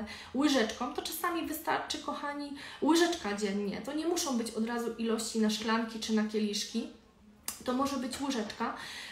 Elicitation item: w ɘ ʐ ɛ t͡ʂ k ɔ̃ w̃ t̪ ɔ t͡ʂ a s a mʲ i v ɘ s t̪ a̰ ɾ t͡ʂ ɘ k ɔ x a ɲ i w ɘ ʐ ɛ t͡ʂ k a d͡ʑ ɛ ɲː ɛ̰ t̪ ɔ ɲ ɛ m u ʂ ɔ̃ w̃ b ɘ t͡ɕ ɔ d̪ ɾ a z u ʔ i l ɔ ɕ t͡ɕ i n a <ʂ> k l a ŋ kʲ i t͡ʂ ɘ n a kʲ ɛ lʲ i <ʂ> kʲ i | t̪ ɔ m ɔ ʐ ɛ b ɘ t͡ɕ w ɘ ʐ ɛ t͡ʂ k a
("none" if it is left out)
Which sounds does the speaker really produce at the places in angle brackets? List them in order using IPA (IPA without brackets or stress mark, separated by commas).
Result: ʂ, ʂ